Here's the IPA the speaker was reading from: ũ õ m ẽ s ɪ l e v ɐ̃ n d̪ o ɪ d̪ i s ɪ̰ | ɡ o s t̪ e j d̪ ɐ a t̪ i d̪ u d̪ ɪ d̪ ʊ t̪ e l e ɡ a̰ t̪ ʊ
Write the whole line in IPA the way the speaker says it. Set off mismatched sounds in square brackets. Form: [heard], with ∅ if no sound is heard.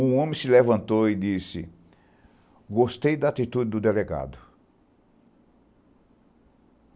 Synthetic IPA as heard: ũ õ m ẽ s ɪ l e v ɐ̃ n [t̪] o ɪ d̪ i s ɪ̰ | ɡ o s t̪ e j d̪ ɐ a t̪ i [t̪] u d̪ ɪ d̪ ʊ [d̪] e l e ɡ a̰ [d̪] ʊ